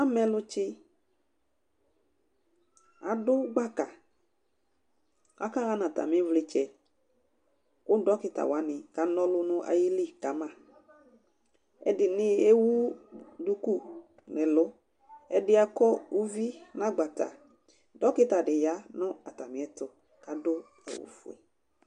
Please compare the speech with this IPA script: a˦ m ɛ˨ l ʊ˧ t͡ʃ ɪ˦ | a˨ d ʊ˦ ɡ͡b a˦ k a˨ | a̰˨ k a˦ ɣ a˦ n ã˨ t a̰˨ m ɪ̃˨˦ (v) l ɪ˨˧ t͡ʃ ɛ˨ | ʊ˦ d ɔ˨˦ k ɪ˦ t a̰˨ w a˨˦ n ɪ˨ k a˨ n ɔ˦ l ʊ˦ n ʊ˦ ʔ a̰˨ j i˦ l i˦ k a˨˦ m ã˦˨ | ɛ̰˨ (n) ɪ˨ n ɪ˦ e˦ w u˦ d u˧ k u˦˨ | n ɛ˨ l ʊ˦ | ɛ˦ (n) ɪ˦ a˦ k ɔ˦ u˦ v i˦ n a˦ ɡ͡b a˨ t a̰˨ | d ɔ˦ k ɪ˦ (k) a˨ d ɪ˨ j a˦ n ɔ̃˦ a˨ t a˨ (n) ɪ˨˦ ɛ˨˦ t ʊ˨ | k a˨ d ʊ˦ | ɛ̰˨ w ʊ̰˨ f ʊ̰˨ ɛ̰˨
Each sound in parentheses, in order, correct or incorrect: correct, incorrect: d, incorrect: d, incorrect: t, incorrect: m

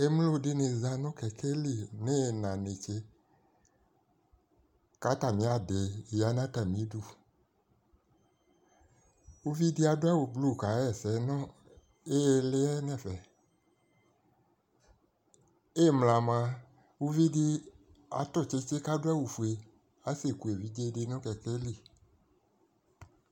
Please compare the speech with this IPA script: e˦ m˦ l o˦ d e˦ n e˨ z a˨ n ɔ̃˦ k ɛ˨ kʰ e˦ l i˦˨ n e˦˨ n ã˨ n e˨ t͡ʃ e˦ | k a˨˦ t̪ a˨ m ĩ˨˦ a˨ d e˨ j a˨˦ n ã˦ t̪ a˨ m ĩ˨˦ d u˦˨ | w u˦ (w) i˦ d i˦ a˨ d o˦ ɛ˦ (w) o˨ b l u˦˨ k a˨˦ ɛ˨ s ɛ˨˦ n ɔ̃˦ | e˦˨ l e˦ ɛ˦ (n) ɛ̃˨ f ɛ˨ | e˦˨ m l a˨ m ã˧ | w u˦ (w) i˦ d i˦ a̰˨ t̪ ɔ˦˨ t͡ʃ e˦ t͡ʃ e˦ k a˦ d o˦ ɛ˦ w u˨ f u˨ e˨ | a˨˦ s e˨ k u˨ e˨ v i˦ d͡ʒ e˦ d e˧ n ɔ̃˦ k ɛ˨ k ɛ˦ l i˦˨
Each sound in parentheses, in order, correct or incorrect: incorrect: v, correct, correct, incorrect: v

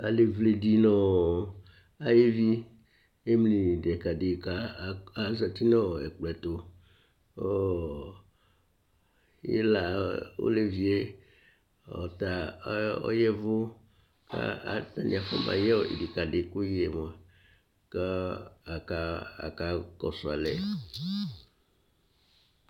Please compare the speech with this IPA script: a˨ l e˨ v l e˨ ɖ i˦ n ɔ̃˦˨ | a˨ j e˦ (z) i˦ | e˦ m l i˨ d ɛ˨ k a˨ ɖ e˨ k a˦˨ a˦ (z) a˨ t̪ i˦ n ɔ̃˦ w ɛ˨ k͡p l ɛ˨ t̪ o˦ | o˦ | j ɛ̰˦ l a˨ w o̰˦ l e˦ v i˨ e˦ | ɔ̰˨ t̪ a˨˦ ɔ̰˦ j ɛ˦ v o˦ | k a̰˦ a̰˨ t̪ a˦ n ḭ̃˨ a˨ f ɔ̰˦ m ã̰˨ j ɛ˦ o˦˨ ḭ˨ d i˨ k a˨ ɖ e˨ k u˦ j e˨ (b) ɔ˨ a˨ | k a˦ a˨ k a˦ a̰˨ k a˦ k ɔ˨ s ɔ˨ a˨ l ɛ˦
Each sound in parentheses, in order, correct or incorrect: incorrect: v, correct, incorrect: m

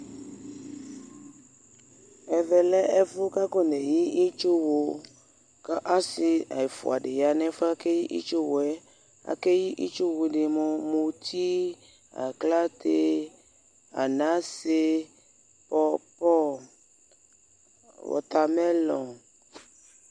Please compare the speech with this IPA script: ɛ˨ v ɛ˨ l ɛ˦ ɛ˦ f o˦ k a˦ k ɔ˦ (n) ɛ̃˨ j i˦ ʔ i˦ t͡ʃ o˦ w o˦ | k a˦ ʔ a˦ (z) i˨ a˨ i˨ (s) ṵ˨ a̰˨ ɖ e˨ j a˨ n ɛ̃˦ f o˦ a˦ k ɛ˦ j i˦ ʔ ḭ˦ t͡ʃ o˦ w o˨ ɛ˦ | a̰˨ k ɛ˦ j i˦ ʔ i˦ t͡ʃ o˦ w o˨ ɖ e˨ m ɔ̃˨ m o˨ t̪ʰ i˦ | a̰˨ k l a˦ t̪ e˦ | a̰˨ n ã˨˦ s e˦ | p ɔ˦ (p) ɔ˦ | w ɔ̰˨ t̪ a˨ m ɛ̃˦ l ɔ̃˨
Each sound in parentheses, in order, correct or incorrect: correct, incorrect: s, incorrect: f, correct

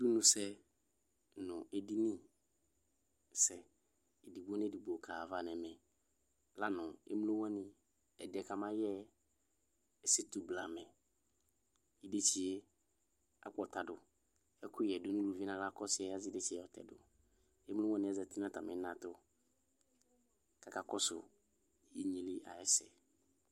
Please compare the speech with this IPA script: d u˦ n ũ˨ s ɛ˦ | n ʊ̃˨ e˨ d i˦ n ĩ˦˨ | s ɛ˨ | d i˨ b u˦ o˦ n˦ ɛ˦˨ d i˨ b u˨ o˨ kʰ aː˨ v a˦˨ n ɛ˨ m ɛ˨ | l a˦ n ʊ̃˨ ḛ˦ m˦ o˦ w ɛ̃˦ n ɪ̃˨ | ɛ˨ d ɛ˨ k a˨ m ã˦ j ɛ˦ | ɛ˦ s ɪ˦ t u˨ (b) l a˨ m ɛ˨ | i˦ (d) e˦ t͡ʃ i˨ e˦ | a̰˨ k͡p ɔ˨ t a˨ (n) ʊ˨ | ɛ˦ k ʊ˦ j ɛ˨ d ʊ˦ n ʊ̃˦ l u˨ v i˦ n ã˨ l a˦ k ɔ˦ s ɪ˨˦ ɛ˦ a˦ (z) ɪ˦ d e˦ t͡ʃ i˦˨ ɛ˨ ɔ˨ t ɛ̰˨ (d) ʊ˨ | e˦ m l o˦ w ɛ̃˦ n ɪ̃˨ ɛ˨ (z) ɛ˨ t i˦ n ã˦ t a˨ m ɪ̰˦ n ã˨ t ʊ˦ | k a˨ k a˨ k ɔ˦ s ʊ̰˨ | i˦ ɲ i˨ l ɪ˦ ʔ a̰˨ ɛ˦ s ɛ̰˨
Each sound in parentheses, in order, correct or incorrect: correct, correct, incorrect: d, correct, correct, correct

